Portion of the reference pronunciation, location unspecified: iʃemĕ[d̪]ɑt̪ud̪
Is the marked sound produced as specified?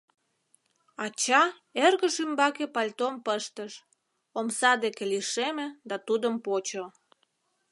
yes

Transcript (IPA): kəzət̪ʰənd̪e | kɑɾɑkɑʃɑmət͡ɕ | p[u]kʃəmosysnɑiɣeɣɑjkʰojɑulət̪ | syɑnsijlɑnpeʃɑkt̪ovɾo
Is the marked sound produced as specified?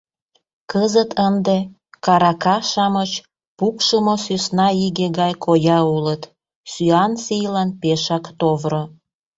yes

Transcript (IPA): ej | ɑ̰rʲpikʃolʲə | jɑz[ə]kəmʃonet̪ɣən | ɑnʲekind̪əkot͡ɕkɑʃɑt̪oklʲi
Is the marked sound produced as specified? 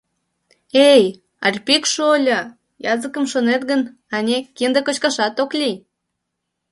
yes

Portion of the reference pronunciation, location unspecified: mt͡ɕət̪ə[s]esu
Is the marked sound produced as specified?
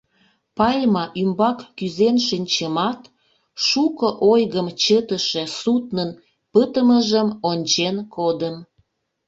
no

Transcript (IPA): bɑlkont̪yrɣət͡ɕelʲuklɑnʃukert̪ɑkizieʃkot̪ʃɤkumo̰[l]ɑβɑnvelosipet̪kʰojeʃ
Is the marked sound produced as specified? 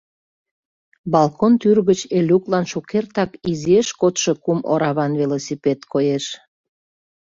no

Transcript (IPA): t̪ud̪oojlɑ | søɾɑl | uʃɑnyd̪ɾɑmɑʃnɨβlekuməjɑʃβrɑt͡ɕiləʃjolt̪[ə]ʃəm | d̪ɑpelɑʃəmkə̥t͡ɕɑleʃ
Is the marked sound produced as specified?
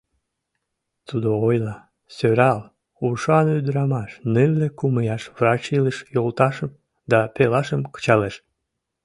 no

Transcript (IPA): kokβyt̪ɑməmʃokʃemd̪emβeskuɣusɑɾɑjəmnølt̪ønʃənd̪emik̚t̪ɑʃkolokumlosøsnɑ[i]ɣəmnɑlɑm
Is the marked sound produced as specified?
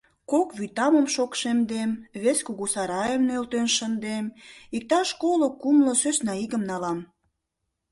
yes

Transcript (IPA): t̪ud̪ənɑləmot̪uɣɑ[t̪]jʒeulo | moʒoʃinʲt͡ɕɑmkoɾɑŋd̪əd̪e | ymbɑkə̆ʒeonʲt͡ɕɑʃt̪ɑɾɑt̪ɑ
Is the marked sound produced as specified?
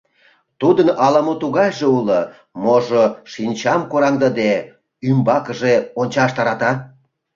no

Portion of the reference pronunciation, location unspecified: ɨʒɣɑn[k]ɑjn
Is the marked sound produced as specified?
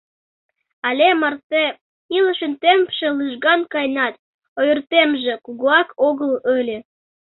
yes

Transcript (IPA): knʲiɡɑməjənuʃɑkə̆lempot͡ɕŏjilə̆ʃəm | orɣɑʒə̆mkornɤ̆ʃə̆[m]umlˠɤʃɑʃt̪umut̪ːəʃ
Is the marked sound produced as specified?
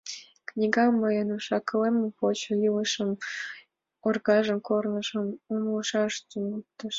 yes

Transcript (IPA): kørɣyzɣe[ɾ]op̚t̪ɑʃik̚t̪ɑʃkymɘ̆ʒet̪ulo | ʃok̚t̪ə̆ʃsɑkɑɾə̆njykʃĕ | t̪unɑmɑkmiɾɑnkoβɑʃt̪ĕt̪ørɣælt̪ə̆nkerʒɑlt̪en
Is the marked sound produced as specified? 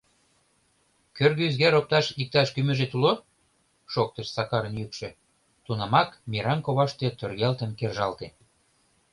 yes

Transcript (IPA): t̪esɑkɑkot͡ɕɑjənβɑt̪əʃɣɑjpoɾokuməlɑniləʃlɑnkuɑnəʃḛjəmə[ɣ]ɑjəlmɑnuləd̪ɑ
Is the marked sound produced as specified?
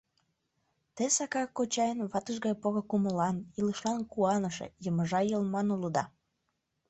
no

